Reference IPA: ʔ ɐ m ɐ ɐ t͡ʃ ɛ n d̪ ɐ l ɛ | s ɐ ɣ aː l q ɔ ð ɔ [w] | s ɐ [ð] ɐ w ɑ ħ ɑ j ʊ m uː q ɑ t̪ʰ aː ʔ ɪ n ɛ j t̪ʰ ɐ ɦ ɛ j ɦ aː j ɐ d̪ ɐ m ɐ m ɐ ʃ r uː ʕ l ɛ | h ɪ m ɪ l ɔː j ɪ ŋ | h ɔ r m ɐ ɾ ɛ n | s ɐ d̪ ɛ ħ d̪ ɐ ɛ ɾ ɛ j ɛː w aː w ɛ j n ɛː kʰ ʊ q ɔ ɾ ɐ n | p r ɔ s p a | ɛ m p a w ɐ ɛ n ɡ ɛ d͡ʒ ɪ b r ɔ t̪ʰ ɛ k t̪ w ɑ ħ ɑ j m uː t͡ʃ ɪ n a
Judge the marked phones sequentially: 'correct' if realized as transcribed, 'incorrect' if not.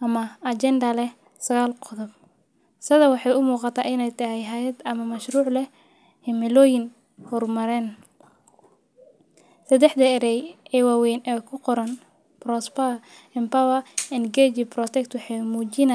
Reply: incorrect, correct

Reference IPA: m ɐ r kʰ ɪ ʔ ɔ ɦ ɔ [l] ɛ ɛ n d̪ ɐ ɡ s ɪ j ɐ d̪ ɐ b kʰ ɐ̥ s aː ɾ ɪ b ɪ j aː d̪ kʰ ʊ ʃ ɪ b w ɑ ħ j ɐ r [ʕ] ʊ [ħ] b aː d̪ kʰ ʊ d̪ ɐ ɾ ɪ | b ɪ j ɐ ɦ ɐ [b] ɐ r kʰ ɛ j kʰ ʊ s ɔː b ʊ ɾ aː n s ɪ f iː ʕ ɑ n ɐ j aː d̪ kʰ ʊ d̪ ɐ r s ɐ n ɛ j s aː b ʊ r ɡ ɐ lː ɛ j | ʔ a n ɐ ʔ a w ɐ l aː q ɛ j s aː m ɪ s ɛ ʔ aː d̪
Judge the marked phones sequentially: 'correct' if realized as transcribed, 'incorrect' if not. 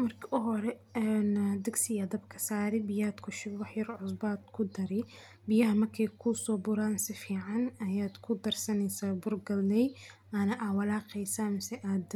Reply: incorrect, correct, incorrect, incorrect

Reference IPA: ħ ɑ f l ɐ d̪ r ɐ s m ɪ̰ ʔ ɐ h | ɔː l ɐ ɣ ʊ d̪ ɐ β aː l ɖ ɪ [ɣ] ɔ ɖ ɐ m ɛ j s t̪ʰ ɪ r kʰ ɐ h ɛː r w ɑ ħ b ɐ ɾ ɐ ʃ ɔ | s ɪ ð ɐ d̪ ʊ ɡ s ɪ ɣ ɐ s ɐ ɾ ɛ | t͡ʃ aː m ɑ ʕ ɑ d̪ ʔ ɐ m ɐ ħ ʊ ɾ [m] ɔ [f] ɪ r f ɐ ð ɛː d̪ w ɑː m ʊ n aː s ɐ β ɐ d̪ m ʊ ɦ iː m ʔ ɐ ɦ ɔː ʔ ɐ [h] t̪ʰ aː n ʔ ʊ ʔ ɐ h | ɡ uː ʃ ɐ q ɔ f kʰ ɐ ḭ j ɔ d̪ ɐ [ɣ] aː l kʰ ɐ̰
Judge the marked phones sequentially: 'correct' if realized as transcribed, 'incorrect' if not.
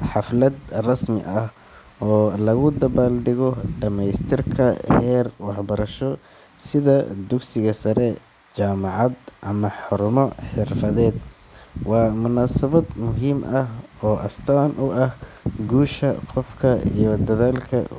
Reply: correct, correct, incorrect, incorrect, incorrect

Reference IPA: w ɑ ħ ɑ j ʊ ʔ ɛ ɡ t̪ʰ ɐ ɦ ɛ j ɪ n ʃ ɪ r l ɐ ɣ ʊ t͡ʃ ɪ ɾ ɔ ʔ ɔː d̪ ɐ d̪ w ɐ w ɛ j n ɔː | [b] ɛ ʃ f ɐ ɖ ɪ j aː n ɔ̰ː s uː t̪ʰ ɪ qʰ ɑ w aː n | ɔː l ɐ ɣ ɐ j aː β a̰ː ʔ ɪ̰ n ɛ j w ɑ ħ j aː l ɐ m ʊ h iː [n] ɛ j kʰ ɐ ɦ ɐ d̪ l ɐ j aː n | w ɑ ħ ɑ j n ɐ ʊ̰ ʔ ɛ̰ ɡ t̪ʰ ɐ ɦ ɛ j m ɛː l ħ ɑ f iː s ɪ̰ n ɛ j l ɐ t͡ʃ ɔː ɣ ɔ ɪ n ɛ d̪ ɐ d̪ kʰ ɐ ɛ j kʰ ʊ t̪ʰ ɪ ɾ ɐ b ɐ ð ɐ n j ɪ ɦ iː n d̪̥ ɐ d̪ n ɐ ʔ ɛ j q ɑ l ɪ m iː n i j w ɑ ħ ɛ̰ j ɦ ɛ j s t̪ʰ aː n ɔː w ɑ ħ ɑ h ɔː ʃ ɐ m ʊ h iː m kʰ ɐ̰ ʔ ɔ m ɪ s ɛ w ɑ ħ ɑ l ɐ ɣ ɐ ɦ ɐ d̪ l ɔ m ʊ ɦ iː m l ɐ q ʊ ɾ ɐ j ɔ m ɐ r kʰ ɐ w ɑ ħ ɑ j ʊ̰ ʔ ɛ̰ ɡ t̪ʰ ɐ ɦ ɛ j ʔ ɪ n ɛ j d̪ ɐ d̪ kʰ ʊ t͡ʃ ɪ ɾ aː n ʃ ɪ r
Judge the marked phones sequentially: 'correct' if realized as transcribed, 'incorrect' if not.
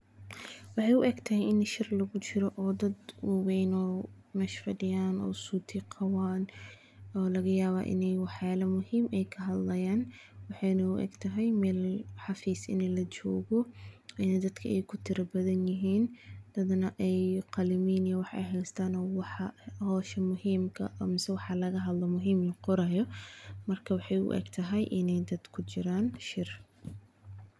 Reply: incorrect, incorrect

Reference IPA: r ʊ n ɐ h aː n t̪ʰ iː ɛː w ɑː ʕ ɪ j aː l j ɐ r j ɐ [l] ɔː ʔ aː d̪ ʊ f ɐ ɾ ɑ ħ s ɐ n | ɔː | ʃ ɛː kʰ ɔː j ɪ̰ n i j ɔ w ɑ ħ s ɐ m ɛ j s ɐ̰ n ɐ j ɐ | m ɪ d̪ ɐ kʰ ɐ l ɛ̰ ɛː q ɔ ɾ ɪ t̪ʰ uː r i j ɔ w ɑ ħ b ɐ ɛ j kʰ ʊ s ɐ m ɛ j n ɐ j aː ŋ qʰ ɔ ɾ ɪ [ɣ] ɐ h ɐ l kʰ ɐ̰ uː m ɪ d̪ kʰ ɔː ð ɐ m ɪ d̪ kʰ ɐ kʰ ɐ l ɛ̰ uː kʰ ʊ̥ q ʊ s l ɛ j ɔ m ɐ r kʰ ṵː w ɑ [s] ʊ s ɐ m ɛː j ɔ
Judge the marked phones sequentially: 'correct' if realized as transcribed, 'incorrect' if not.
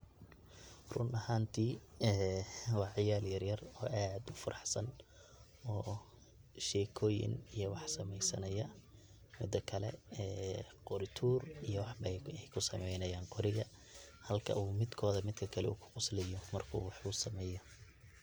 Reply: incorrect, correct, incorrect

